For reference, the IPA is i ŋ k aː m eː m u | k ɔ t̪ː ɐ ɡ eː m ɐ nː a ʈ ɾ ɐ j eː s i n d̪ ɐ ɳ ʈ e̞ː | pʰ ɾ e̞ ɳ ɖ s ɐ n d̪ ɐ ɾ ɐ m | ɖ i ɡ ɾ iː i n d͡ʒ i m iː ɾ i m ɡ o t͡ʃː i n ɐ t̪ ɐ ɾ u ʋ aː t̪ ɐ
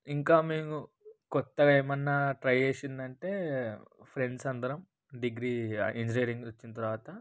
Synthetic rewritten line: i ŋ k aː m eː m u | k ɔ t̪ː ɐ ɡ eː m ɐ nː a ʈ ɾ ɐ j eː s i n d̪ ɐ ɳ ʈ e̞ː | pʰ ɾ e̞ ɳ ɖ s ɐ n d̪ ɐ ɾ ɐ m | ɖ i ɡ ɾ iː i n d͡ʒ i n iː ɾ i ŋ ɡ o t͡ʃː i n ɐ t̪ ɐ ɾ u ʋ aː t̪ ɐ